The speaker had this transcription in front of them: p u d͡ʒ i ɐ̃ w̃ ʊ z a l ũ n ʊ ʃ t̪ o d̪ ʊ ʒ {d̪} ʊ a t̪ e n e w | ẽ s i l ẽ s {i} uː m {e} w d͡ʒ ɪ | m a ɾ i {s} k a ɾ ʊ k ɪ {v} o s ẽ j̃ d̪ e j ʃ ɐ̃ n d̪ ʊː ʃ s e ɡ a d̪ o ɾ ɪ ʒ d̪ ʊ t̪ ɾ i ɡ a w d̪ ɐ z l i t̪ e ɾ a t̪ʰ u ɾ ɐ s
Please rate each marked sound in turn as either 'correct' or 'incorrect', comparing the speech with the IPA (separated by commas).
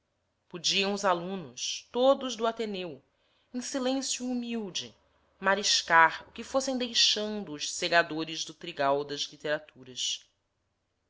correct, incorrect, incorrect, incorrect, incorrect